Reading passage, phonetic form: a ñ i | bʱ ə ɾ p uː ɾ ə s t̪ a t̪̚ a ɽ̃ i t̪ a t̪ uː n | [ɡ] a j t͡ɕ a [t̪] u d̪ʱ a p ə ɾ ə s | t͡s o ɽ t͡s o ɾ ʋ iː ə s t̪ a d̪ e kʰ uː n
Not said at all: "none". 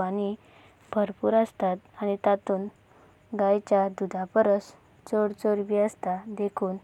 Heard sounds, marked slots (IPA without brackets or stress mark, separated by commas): ɡ, d̪